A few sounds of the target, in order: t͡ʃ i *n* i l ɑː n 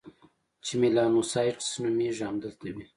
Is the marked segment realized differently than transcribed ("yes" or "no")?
yes